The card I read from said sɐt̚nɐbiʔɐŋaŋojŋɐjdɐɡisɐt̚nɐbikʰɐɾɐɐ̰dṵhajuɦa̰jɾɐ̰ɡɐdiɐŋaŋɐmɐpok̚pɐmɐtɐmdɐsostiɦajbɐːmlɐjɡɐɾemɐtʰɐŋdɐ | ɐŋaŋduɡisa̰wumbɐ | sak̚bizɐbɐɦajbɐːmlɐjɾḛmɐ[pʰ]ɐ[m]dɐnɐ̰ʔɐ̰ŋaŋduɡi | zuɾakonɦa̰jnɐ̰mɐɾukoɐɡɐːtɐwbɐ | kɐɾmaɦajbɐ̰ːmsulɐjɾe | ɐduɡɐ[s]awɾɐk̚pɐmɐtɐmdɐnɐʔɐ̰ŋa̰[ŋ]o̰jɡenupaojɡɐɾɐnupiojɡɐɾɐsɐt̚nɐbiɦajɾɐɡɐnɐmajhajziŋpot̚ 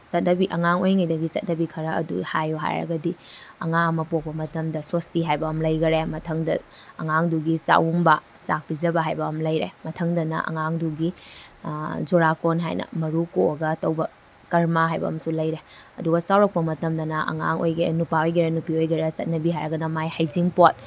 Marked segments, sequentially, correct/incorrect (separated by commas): incorrect, incorrect, correct, correct